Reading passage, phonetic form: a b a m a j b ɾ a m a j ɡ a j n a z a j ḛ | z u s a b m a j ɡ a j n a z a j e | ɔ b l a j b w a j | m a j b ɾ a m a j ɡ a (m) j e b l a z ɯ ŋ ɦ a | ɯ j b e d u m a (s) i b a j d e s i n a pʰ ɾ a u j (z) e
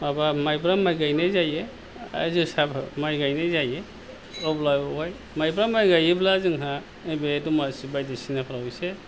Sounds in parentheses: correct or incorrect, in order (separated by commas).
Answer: incorrect, correct, incorrect